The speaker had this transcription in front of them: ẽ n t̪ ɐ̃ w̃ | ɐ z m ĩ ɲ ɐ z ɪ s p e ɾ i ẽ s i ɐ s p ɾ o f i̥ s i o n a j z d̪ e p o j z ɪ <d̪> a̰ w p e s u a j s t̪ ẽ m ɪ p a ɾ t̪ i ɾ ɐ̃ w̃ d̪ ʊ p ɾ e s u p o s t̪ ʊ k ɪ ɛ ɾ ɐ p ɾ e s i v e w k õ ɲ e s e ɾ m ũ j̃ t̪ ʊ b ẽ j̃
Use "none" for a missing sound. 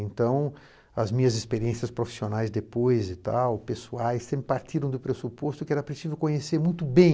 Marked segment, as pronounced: t̪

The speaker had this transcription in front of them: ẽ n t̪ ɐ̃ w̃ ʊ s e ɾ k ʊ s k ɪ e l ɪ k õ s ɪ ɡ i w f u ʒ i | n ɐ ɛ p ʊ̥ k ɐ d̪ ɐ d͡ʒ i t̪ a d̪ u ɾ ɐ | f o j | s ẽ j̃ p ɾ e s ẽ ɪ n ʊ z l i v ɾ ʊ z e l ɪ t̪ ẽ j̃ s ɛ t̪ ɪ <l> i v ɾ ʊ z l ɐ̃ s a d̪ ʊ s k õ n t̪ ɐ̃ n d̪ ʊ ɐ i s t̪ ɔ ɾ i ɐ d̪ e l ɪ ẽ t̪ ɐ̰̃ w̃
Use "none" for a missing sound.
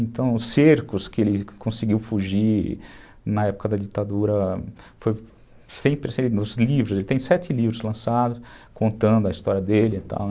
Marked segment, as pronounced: l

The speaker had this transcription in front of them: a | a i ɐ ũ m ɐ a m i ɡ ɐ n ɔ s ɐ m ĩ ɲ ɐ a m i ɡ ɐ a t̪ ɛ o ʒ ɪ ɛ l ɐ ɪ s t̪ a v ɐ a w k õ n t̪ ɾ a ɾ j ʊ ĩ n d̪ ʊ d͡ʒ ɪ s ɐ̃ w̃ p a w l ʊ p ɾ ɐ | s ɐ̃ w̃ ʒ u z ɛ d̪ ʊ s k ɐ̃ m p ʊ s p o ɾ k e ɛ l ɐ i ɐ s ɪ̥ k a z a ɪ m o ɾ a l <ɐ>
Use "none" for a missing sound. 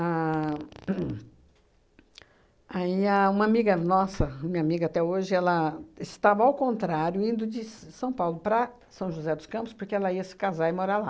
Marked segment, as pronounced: a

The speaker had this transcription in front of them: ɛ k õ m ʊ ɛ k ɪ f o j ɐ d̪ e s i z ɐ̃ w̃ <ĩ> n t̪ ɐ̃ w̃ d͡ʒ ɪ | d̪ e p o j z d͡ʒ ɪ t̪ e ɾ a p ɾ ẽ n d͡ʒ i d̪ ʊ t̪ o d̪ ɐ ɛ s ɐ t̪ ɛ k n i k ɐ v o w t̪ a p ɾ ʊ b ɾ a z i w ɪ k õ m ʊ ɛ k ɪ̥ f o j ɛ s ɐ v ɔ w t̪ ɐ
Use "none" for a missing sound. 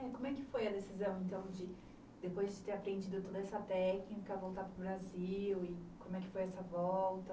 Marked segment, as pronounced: ẽ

